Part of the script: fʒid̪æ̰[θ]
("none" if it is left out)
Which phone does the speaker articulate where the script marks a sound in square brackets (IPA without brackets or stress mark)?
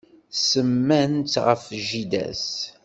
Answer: s